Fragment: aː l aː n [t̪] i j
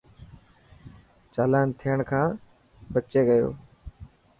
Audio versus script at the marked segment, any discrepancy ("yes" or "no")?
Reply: yes